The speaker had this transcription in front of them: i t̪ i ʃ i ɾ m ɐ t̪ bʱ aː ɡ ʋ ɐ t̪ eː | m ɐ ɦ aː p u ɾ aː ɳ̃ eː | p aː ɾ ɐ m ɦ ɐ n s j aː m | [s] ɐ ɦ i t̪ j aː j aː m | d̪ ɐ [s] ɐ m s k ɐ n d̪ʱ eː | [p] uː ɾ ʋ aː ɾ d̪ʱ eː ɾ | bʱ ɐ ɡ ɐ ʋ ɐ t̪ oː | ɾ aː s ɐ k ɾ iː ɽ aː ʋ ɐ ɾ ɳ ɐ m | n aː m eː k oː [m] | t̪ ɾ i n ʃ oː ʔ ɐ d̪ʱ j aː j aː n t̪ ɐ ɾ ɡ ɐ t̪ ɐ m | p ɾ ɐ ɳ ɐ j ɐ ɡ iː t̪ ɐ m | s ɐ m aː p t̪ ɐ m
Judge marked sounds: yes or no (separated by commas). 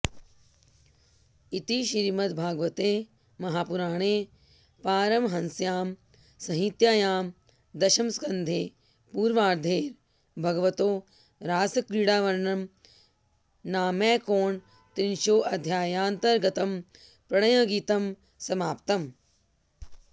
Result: yes, no, yes, no